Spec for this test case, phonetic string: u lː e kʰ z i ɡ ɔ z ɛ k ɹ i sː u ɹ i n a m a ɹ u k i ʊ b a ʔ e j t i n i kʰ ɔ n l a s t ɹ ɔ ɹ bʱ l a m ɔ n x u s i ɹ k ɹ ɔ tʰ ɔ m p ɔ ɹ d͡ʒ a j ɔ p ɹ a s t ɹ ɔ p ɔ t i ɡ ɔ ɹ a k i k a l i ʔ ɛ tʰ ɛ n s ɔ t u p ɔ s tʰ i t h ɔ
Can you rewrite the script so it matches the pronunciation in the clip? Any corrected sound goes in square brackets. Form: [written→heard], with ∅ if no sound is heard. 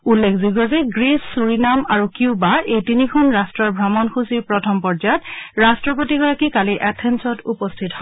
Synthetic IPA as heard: u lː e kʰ z i ɡ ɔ z ɛ [k→ɡ] ɹ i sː u ɹ i n a m a ɹ u k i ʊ b a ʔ e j t i n i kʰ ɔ n [l→ɹ] a s t ɹ ɔ ɹ bʱ [l→ɹ] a m ɔ n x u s i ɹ [k→p] ɹ ɔ tʰ ɔ m p ɔ ɹ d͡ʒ a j ɔ [p→t] ɹ a s t ɹ ɔ p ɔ t i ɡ ɔ ɹ a k i k a l i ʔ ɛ tʰ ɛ n s ɔ t u p ɔ s tʰ i t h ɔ